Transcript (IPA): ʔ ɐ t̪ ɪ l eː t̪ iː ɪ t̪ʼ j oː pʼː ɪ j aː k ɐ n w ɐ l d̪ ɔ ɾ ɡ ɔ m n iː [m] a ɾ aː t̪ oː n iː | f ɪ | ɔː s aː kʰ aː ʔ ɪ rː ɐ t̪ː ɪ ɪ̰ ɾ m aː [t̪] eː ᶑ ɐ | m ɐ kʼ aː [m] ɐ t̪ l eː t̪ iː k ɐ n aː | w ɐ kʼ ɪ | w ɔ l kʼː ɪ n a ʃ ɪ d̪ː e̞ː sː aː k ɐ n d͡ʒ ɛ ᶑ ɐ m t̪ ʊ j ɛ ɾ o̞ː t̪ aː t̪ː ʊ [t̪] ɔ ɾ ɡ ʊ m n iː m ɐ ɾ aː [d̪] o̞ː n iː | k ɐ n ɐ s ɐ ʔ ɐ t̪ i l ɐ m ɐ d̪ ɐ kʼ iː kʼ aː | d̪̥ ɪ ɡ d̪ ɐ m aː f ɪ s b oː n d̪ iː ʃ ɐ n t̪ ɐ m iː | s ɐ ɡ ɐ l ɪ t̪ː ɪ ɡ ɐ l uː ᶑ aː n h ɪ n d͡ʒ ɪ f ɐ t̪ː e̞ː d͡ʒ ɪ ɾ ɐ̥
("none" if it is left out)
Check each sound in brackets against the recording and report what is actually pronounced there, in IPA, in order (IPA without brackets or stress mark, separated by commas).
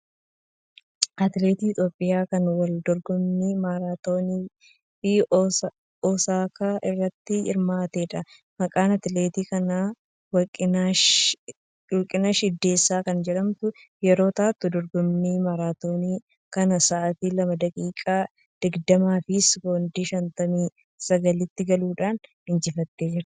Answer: m, t̪, n, d̪, t̪